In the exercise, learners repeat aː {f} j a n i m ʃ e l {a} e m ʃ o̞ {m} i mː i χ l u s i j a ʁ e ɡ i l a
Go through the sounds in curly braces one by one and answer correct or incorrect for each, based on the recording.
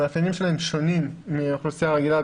correct, correct, incorrect: n

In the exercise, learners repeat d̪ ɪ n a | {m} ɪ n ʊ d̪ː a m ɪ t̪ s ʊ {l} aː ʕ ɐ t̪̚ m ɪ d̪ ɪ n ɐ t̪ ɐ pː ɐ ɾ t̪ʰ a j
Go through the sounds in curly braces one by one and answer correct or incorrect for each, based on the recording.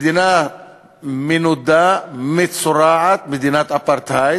correct, incorrect: ɾ

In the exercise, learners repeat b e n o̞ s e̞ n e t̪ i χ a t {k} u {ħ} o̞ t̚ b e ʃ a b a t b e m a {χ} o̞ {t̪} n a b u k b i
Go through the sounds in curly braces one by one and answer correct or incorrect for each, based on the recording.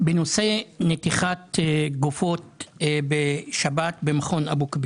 incorrect: ɡ, incorrect: f, correct, incorrect: none

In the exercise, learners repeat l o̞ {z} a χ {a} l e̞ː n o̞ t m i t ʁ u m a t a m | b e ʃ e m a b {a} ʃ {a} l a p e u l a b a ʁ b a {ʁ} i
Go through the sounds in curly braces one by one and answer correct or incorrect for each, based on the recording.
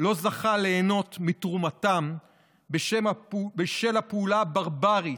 correct, correct, incorrect: e, incorrect: e, correct

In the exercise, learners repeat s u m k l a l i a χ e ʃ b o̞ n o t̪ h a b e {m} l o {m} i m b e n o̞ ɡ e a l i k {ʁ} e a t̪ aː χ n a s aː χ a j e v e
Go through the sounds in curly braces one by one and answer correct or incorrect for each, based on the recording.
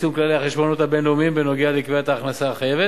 incorrect: n, correct, incorrect: v

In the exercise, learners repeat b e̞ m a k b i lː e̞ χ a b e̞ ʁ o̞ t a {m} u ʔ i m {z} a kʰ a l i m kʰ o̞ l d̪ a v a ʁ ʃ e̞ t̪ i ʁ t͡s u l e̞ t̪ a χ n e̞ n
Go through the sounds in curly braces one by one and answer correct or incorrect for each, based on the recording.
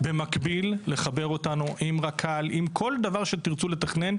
incorrect: n, incorrect: ʁ

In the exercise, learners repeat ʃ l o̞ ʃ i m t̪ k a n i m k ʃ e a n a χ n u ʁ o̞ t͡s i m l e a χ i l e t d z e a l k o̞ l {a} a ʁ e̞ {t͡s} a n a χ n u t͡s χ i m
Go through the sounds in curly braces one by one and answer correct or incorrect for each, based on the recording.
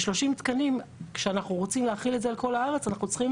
correct, correct

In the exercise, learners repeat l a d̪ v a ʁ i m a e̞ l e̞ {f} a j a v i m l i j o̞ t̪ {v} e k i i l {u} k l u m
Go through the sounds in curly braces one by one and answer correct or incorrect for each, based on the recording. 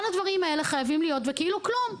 incorrect: χ, correct, correct

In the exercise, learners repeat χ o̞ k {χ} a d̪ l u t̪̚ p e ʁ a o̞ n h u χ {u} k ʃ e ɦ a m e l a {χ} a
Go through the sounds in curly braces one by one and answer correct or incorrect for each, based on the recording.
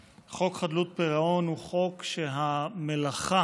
correct, incorrect: o, correct

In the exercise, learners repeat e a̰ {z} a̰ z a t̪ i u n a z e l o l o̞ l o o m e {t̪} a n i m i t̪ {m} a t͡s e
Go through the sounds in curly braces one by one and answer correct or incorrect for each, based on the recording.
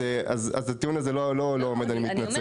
correct, incorrect: d̪, incorrect: n

